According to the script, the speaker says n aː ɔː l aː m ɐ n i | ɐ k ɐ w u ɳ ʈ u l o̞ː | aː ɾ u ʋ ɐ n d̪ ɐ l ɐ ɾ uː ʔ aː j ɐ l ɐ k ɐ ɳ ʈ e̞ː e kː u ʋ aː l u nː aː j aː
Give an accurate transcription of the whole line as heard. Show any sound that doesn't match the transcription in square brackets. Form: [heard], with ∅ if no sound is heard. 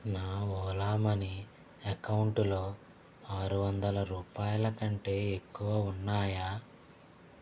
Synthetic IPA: n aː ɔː l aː m ɐ n i | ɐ k ɐ w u ɳ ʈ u l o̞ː | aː ɾ u ʋ ɐ n d̪ ɐ l ɐ ɾ uː [p] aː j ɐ l ɐ k ɐ ɳ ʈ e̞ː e kː u ʋ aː [∅] u nː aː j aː